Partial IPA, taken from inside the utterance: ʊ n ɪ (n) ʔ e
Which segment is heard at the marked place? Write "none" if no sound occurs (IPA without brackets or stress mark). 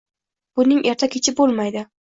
ŋ